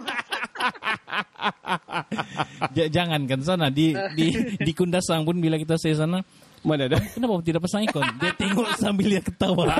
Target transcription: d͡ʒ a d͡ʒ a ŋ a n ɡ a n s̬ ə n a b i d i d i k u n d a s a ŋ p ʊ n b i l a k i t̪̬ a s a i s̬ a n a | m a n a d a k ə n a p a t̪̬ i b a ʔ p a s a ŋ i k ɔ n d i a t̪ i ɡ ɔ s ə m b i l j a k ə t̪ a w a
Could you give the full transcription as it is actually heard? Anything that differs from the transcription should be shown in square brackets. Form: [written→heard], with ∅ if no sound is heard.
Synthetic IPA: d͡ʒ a d͡ʒ a ŋ a n [ɡ→k] a n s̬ [ə→a] n a [b→d] i d i d i k u n d a s a ŋ p ʊ n b i l a k i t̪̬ a s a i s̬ a n a | m a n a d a k ə n a p a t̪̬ i [b→d] a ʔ p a s a ŋ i k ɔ n d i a t̪ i [ɡ→ŋ] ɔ s [ə→a] m b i l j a k ə t̪ a w a